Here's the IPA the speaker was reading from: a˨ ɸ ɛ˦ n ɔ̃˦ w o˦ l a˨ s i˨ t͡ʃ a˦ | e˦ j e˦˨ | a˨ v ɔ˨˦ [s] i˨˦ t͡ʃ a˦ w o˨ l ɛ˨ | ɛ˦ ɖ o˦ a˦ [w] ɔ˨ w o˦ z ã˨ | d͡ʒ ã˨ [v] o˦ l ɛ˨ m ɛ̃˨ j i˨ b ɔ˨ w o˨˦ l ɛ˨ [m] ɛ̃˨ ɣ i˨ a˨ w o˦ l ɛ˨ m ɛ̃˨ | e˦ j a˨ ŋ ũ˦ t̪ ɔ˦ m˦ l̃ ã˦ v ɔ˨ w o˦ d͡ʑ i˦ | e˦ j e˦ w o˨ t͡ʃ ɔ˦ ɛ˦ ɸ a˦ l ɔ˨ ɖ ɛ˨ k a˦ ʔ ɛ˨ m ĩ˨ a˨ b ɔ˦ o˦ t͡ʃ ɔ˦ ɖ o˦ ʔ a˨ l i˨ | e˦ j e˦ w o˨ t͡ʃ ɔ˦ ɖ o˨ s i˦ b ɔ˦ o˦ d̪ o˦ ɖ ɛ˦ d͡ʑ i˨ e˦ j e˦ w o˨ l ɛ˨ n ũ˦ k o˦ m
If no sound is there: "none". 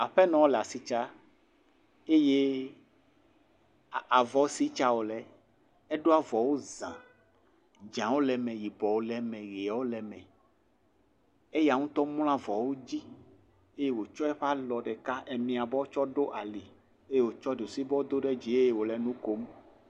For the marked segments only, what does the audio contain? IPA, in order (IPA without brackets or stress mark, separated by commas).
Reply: s, v, w, m